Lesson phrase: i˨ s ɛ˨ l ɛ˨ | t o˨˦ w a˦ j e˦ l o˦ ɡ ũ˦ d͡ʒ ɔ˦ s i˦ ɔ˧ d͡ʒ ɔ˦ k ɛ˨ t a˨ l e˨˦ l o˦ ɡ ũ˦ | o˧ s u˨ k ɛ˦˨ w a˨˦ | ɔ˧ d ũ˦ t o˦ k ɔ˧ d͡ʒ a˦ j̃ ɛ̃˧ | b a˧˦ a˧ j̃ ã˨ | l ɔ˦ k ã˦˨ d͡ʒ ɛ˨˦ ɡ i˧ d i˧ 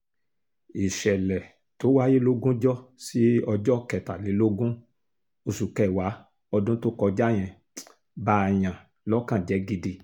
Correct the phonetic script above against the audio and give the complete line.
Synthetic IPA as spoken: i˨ ʃ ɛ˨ l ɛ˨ | t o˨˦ w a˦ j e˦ l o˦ ɡ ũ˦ d͡ʒ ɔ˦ s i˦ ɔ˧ d͡ʒ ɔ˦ k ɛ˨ t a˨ l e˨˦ l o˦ ɡ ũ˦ | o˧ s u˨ k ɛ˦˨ w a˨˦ | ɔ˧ d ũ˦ t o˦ k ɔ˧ d͡ʒ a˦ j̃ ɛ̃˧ | b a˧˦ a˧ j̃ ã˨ | l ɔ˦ k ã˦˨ d͡ʒ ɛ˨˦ ɡ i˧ d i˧

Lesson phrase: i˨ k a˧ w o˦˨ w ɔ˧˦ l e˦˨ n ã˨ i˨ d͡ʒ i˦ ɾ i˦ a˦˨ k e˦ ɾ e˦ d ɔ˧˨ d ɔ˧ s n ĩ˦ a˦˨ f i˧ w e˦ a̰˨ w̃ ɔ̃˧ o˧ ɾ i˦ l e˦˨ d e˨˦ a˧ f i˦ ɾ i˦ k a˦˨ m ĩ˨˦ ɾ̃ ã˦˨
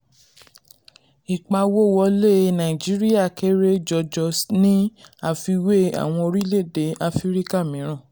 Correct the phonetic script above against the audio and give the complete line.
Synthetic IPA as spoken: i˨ k͡p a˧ w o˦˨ w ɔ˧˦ l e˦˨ n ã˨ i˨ d͡ʒ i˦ ɾ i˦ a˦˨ k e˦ ɾ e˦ d͡ʒ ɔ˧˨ d͡ʒ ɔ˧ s n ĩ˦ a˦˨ f i˧ w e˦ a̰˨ w̃ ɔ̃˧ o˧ ɾ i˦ l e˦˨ d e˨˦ a˧ f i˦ ɾ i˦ k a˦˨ m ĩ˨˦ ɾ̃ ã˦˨

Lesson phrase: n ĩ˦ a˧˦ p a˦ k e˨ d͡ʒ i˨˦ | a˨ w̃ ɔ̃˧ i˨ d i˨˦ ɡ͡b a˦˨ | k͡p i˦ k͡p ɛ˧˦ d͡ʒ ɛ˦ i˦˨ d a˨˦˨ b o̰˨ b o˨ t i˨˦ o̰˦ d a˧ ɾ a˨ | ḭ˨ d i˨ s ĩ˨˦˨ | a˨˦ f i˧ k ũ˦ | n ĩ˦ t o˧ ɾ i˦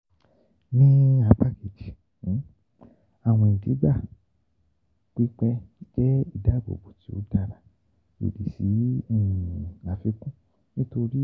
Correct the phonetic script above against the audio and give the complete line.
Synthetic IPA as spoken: n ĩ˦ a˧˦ p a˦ k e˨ d͡ʒ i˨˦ | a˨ w̃ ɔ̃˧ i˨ d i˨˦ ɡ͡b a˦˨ | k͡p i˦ k͡p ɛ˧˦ d͡ʒ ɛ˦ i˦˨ d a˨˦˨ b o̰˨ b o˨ t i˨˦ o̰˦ d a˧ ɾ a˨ | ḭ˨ d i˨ s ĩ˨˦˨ | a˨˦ f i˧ k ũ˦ | n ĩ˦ t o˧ ɾ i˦

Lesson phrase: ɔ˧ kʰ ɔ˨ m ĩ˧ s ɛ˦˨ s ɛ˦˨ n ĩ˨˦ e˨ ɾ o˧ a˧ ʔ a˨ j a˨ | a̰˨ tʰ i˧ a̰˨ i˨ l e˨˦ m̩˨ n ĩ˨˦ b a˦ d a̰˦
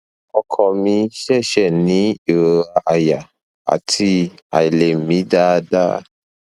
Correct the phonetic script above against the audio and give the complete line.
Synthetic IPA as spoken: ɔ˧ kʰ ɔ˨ m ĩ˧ ʃ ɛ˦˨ ʃ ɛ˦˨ n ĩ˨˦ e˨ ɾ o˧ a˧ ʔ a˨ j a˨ | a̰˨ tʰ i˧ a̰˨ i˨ l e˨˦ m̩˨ m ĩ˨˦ d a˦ d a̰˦

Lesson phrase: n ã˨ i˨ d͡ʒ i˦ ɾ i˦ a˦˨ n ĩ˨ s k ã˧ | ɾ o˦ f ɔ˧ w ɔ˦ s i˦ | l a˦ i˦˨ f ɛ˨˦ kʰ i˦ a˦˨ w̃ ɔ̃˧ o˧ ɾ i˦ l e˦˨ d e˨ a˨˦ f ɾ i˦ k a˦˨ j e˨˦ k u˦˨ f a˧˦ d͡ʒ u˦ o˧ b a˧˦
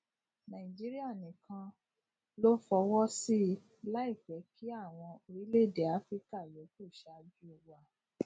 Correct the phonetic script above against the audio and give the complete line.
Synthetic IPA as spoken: n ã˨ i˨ d͡ʒ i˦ ɾ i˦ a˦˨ n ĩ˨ k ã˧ | l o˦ f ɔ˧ w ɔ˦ s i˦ | l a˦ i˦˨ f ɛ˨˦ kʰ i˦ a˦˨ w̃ ɔ̃˧ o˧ ɾ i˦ l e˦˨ d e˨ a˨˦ f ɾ i˦ k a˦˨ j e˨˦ k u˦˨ ʃ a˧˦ d͡ʒ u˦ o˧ w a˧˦

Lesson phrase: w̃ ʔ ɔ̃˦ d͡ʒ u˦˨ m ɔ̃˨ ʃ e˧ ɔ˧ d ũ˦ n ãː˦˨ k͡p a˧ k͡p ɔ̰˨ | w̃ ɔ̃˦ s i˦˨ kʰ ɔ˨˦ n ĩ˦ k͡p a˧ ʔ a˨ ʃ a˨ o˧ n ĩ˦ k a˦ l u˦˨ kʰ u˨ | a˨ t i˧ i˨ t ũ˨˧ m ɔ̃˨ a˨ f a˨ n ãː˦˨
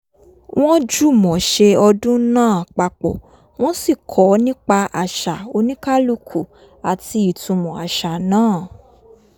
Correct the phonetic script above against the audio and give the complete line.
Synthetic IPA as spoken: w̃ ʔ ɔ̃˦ d͡ʒ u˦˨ m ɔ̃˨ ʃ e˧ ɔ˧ d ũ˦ n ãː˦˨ k͡p a˧ k͡p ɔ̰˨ | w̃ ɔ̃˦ s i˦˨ kʰ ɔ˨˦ n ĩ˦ k͡p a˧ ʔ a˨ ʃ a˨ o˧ n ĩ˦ k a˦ l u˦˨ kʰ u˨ | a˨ t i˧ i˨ t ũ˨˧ m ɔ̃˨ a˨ ʃ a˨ n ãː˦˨

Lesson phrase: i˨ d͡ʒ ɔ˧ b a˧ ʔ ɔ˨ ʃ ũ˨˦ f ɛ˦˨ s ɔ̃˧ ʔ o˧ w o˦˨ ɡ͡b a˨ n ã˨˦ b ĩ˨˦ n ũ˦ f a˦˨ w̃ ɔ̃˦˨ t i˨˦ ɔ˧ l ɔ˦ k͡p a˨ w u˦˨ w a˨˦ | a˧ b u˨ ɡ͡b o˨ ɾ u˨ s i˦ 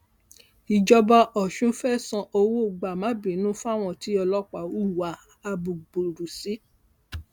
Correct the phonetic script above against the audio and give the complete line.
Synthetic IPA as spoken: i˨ d͡ʒ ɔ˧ b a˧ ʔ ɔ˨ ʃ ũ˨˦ f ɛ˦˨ s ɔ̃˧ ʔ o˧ w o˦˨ ɡ͡b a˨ m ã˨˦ b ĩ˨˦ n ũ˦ f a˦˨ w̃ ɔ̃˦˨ t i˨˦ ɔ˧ l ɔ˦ k͡p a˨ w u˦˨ w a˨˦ | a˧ b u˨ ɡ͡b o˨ ɾ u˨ s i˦

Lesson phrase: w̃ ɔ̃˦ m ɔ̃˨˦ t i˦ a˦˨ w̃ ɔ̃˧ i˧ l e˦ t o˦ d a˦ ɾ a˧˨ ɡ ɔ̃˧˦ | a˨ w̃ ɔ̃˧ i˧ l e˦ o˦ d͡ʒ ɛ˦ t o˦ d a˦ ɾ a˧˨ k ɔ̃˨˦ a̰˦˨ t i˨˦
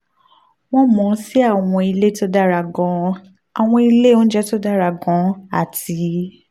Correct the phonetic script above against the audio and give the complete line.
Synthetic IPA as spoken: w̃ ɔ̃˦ m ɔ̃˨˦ s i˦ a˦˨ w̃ ɔ̃˧ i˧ l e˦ t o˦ d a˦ ɾ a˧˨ ɡ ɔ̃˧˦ | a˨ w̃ ɔ̃˧ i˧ l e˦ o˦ d͡ʒ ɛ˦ t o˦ d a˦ ɾ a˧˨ ɡ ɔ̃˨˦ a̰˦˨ t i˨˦

